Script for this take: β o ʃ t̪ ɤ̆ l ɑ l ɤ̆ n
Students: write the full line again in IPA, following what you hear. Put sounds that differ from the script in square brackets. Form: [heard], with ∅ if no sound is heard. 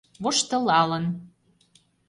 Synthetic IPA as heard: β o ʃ t̪ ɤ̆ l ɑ l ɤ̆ n